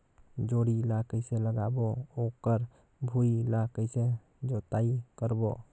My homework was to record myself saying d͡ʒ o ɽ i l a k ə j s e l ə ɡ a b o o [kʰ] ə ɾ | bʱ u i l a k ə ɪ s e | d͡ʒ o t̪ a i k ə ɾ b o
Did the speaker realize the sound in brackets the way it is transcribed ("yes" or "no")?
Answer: no